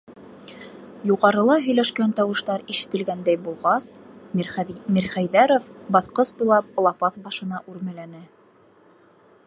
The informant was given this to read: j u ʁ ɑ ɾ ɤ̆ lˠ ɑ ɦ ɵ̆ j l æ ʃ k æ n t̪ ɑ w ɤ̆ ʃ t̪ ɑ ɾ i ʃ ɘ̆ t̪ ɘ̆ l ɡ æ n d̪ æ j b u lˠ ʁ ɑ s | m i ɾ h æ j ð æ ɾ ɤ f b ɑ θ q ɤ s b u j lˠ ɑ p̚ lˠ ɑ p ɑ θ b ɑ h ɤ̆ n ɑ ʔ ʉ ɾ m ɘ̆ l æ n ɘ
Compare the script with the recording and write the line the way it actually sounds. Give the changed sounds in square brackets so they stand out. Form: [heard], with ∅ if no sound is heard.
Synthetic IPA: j u ʁ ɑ ɾ ɤ̆ lˠ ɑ ɦ ɵ̆ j l æ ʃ k æ n t̪ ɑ w ɤ̆ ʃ t̪ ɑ ɾ i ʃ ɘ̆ t̪ ɘ̆ l ɡ æ n d̪ æ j b u lˠ ʁ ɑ s | m i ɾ [χ] æ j ð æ ɾ [o] f b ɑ θ q ɤ s b u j lˠ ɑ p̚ lˠ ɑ p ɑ θ b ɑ [ʃ] ɤ̆ n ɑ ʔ ʉ ɾ m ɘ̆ l æ n ɘ